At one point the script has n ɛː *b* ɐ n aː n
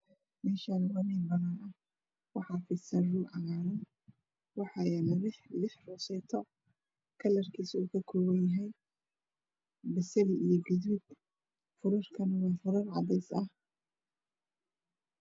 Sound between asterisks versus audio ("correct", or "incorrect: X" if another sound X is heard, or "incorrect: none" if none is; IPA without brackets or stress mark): correct